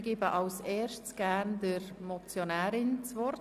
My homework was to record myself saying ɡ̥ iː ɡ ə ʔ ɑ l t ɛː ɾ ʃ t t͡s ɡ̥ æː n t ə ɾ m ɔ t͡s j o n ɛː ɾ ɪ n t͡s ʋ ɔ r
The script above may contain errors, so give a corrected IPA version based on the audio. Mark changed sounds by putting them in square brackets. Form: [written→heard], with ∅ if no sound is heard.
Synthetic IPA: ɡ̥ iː [ɡ→b] ə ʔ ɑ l [t→s] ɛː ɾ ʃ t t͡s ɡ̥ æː n [t→d] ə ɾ m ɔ t͡s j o n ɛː ɾ ɪ n t͡s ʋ ɔ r